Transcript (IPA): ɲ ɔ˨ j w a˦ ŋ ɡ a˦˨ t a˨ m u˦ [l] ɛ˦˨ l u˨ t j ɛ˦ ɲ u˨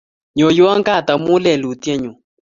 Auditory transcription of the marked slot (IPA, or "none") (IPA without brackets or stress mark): l